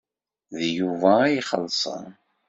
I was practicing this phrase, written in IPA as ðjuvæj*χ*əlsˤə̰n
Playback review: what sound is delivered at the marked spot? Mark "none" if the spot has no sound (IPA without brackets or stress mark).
χ